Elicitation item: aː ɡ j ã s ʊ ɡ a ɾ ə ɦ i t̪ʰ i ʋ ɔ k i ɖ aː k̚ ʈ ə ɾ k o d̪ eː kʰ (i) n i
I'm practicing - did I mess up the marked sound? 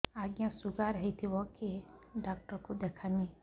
yes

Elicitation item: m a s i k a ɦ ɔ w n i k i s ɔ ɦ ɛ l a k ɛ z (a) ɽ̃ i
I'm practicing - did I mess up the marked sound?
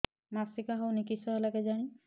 no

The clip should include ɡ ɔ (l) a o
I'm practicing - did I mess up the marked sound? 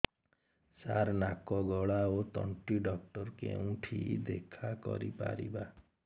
yes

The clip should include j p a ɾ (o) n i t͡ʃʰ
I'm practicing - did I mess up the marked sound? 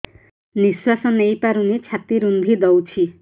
yes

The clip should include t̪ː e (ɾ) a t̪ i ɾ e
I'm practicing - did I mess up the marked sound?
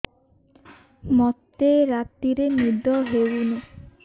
no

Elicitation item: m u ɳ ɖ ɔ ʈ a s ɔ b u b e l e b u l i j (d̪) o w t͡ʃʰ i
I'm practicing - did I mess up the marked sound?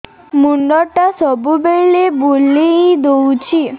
no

